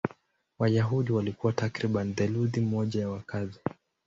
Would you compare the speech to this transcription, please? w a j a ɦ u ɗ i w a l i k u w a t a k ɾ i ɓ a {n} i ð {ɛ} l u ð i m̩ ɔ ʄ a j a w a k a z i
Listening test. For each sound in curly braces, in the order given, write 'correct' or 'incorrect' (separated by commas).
correct, correct